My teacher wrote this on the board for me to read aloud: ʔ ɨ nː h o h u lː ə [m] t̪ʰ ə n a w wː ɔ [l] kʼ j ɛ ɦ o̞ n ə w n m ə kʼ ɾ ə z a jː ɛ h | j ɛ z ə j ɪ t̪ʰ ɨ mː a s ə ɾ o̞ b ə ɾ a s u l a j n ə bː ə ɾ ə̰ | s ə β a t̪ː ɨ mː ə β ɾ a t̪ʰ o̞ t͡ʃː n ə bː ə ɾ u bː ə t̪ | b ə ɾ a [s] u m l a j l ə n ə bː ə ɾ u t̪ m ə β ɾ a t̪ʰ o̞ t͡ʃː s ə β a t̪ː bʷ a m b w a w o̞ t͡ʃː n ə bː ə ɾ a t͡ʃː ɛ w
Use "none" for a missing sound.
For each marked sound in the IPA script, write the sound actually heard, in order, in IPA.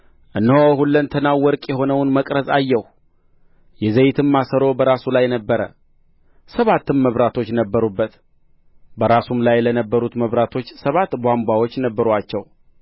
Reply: n, ɾ, s

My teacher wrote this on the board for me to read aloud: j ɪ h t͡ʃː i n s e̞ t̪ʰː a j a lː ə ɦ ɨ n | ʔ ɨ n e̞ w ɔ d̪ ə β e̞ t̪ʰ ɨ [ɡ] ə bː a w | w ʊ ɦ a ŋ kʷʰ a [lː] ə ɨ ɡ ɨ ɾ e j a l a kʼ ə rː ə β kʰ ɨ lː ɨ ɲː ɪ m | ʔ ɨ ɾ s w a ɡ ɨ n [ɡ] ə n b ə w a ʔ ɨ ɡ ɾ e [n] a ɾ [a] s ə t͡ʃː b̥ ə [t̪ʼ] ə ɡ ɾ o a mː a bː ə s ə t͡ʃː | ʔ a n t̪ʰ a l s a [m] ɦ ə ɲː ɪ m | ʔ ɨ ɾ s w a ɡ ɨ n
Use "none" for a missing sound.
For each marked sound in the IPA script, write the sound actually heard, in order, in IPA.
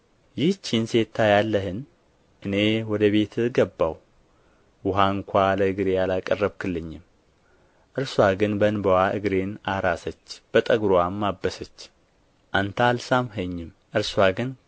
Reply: ɡ, l, b, n, a, t̪ʼ, m

